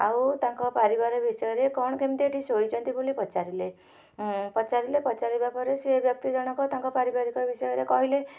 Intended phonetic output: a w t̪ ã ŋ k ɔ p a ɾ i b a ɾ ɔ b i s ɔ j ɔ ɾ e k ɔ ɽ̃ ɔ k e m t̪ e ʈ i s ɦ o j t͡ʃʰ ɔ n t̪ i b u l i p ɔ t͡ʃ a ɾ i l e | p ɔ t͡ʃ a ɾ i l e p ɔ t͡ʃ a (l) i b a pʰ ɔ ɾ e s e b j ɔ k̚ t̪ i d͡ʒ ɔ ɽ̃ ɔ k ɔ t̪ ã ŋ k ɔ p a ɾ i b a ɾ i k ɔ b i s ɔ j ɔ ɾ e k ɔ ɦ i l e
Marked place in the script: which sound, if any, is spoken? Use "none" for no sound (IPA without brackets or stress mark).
ɾ